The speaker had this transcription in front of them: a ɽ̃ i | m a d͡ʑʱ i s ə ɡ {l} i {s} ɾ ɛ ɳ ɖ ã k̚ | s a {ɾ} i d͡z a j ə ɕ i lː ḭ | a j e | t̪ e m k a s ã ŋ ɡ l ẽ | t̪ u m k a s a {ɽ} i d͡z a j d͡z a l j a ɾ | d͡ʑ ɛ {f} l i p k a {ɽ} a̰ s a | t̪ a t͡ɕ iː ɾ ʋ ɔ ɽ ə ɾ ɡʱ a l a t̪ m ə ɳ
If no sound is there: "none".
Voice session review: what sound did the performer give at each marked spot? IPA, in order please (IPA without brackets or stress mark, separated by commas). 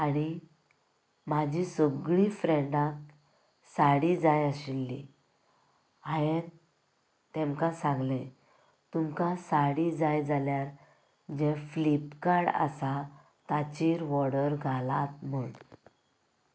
ɭ, f, ɽ, ɽ, f, ɽ